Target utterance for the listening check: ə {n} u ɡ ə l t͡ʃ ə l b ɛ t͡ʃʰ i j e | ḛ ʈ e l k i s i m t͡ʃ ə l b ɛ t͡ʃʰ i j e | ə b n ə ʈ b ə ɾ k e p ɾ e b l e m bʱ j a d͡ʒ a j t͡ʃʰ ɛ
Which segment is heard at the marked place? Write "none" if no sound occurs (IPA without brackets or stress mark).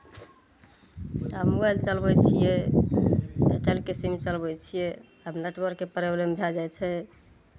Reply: m